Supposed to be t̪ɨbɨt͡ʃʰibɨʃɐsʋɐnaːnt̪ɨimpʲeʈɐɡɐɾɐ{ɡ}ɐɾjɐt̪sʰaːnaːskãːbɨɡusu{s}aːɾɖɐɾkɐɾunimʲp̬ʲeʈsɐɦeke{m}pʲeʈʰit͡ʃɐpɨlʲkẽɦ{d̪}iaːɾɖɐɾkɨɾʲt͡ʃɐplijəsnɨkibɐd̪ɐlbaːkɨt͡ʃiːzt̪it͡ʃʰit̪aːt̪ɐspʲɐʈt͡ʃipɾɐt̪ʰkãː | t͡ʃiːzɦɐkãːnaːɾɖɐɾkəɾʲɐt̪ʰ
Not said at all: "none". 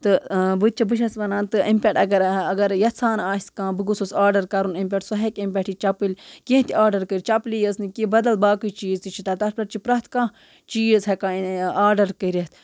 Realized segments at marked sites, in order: ɡ, s, m, t̪

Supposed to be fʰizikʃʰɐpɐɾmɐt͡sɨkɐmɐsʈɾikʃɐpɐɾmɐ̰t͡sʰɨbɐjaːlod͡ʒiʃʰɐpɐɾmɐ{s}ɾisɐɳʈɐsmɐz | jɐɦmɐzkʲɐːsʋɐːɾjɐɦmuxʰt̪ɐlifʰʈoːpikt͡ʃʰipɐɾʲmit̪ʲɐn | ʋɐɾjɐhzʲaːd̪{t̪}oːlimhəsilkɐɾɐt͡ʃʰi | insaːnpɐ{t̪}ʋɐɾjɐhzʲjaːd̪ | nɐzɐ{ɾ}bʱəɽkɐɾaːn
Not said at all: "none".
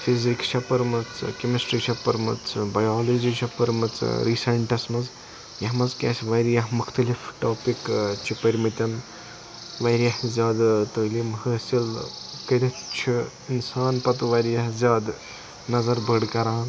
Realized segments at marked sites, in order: t͡s, t̪, t̪, ɾ

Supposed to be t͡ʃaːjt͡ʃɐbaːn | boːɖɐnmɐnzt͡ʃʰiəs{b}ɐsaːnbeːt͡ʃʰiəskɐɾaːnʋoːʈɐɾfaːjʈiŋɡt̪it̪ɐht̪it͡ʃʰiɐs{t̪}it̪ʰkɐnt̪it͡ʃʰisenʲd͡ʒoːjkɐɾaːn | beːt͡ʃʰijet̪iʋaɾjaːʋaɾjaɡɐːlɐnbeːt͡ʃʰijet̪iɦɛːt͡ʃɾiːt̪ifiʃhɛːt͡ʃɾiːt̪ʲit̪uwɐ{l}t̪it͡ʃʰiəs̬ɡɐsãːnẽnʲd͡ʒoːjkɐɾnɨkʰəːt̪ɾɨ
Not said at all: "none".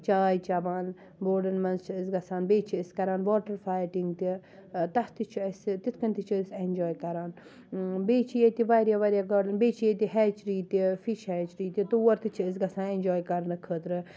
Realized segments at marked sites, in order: ɡ, t̪, ɾ

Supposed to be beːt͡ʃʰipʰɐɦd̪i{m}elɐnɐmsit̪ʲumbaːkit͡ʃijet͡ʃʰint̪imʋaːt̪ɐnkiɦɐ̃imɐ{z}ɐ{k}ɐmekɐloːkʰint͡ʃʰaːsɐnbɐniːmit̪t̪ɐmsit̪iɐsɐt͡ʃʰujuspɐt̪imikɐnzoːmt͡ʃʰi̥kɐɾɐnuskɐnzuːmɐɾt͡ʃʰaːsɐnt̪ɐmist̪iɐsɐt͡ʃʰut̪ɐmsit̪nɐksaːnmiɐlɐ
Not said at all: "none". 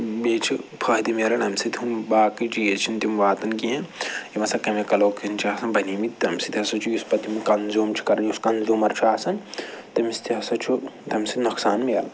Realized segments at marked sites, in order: m, s, k

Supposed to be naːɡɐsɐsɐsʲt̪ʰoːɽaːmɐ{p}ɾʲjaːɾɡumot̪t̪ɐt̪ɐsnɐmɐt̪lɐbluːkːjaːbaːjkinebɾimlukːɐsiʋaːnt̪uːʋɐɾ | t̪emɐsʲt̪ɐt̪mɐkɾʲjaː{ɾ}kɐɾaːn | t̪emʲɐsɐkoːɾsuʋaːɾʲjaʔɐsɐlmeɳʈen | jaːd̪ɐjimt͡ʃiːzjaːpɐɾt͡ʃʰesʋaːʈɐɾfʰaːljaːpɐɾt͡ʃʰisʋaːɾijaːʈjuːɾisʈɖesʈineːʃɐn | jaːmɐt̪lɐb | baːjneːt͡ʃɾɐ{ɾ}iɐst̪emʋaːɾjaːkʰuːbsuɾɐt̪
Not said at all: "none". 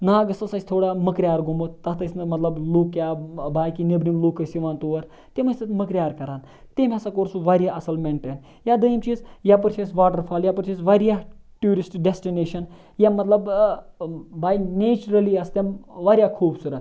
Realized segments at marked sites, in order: k, ɾ, l

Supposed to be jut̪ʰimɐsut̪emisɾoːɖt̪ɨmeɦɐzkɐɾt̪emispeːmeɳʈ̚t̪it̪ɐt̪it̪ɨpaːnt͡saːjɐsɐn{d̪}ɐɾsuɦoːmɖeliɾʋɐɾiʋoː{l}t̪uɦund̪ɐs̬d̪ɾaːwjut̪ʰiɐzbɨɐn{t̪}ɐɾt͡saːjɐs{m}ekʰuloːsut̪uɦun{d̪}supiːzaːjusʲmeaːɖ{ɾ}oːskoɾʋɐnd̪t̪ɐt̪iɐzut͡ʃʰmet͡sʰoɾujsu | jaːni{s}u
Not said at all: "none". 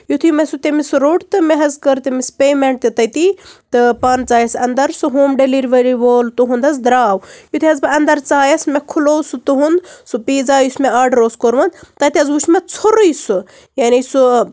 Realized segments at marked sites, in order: d̪, l, d̪, m, d̪, ɾ, s

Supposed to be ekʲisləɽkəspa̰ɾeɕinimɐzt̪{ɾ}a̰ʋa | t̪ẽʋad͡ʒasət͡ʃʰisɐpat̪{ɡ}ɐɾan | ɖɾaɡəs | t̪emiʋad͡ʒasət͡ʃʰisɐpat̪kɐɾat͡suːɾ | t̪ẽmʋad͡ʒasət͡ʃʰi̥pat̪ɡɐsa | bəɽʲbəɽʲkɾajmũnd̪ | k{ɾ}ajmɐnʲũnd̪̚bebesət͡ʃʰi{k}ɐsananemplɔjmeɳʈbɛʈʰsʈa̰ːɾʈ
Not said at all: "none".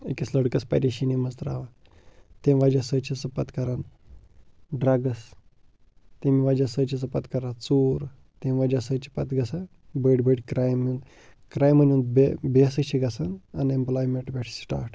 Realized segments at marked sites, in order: ɾ, k, ɾ, ɡ

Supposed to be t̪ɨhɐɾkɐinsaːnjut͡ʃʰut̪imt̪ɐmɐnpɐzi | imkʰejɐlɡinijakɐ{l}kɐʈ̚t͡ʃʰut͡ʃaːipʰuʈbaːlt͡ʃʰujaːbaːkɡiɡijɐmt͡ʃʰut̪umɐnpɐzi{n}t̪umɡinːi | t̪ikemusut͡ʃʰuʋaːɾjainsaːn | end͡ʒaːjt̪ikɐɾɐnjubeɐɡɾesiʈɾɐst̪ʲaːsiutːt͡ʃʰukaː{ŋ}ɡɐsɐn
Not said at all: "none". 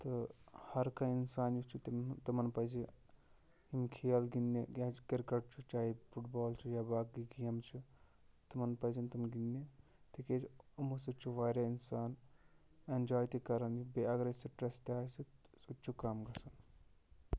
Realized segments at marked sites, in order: ɾ, n, m

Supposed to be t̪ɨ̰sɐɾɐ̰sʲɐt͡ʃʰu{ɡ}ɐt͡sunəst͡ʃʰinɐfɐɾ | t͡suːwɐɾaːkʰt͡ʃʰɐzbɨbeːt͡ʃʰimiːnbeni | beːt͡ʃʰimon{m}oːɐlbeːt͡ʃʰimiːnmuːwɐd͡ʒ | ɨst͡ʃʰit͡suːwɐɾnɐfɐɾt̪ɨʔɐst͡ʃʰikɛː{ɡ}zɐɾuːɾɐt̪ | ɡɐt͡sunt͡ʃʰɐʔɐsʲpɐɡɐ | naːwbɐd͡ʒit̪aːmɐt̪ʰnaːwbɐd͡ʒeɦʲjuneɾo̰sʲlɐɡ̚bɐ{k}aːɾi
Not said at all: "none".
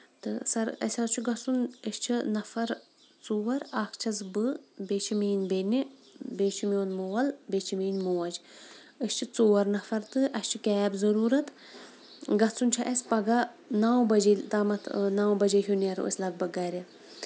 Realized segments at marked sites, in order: ɡ, m, b, ɡ

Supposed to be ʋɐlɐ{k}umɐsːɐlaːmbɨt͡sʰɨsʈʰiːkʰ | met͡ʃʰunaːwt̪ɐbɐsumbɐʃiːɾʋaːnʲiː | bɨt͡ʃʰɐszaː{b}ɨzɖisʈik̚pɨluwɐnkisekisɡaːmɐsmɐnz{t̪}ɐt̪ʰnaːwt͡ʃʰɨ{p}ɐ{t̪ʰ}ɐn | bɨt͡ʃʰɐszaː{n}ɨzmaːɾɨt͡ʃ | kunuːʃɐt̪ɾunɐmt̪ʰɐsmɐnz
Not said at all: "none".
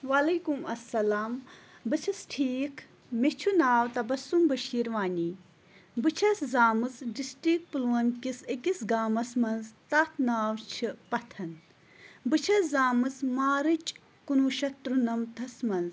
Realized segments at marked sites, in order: k, m, t̪, p, t̪ʰ, m

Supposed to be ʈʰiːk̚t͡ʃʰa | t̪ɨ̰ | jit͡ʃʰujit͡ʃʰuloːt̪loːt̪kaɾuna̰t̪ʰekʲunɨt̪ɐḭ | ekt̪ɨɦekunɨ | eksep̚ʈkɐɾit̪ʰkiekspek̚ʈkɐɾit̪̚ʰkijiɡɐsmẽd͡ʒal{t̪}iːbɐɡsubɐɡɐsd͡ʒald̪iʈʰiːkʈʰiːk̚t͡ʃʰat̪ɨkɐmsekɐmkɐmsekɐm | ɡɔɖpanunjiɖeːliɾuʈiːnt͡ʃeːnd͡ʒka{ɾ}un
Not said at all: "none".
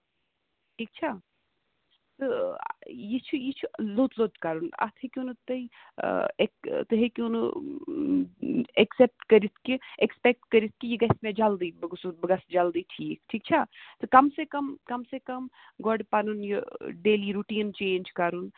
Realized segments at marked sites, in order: d̪, ɾ

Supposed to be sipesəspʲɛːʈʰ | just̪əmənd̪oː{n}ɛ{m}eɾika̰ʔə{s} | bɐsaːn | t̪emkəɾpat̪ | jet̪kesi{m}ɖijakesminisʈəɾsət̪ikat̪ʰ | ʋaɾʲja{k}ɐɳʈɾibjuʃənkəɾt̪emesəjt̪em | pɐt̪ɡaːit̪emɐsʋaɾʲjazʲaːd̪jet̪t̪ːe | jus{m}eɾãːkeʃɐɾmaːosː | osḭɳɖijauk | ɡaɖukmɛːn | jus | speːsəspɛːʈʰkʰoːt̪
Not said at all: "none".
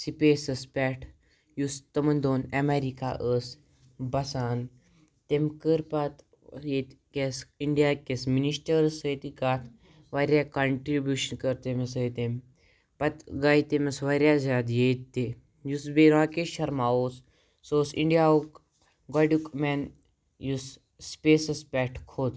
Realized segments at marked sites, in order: n, m, s, ɳ, k, b

